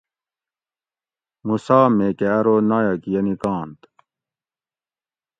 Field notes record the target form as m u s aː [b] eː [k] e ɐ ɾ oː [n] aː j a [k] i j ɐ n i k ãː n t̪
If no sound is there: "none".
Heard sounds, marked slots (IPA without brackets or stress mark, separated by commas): m, k, n, k